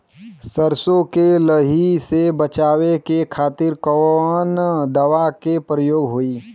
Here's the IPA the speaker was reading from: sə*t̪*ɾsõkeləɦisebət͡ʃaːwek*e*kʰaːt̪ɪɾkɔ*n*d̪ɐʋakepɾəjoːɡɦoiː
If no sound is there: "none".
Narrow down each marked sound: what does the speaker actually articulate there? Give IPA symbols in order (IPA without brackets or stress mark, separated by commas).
none, e, n